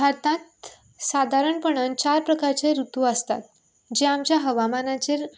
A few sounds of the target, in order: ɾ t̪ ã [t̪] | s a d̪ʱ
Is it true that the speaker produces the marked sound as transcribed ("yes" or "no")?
yes